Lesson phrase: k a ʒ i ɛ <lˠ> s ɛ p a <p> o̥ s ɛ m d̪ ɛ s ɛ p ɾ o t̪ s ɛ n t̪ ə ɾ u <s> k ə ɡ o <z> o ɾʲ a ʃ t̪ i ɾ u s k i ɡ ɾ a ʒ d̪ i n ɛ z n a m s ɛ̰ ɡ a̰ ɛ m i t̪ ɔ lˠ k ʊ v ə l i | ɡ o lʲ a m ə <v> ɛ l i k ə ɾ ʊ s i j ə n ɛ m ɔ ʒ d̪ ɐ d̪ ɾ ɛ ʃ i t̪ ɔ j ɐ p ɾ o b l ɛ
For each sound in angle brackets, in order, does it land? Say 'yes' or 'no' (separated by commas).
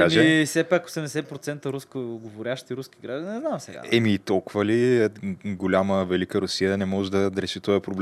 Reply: no, no, yes, no, yes